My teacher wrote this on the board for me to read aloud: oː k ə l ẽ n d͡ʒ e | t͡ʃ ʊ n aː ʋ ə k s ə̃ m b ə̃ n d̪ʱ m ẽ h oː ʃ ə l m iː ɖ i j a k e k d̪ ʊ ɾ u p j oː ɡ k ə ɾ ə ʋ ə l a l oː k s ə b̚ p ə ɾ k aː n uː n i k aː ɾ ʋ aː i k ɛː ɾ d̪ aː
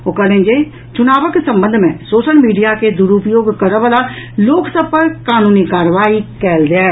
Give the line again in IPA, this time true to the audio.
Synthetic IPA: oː k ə l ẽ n d͡ʒ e | t͡ʃ ʊ n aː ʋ ə k s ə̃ m b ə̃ n d̪ʱ m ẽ s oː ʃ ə l m iː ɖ i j a k e d̪ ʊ ɾ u p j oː ɡ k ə ɾ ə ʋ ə l a l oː k s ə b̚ p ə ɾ k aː n uː n i k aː ɾ ʋ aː i k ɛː l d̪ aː